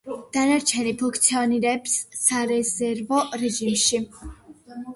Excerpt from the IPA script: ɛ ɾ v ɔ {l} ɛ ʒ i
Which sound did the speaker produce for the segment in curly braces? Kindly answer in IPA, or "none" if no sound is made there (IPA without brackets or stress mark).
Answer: ɾ